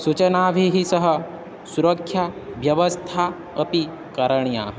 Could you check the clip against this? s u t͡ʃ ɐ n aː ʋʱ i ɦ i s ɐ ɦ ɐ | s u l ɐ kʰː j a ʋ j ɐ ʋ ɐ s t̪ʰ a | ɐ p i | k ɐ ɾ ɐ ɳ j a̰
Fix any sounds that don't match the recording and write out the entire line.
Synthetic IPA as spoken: s u t͡ʃ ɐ n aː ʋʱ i ɦ i s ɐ ɦ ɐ | s u ɾ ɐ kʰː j a ʋ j ɐ ʋ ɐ s t̪ʰ a | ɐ p i | k ɐ ɾ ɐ ɳ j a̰